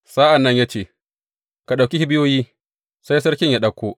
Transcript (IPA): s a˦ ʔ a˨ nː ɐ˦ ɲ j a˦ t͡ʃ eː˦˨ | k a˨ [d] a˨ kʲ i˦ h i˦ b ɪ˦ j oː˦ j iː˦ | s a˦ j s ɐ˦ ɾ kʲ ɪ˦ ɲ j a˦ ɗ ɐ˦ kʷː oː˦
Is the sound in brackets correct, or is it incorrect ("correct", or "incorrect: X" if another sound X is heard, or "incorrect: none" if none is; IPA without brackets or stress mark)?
incorrect: ɗ